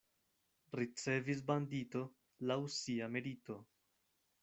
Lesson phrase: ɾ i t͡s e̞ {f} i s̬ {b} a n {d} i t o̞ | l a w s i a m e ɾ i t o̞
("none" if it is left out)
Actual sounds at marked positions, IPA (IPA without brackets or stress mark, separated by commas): v, b, d